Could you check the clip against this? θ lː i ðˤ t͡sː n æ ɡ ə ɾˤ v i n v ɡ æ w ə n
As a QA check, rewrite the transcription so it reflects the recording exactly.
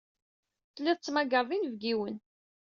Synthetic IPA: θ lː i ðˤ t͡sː m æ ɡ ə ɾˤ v i n v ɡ i w ə n

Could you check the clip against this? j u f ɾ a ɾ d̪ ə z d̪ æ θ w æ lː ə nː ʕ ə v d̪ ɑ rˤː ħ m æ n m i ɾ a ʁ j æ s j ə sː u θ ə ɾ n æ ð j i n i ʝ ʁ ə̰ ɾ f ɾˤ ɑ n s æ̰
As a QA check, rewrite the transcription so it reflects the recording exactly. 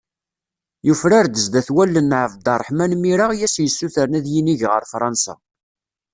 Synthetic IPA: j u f ɾ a ɾ d̪ ə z d̪ æ θ w æ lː ə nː ʕ ə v d̪ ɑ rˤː ħ m æ n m i ɾ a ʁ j æ s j ə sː u θ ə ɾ n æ ð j i n i ʝ ʁ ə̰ ɾ f ɾˤ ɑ n s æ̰

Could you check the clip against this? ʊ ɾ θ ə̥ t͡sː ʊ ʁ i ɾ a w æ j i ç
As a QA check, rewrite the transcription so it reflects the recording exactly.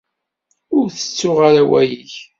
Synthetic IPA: ʊ ɾ θ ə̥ t͡sː ʊ ʁ a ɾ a w æ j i ç

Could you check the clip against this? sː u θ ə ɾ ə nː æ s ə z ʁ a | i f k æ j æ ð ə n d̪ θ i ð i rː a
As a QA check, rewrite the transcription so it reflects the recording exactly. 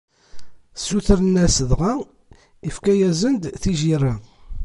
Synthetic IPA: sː u θ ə ɾ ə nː æ s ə ð ʁ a | i f k æ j æ z ə n d̪ θ i ʒ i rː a

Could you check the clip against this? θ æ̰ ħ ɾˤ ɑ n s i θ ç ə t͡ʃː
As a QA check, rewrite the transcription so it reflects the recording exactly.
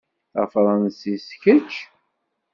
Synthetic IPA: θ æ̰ f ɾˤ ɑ n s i s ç ə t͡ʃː

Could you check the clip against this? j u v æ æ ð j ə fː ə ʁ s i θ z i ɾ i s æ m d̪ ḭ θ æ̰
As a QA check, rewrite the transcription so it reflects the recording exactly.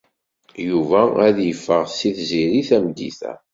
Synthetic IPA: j u v æ æ ð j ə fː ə ʁ s i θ z i ɾ i θ æ m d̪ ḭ θ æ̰

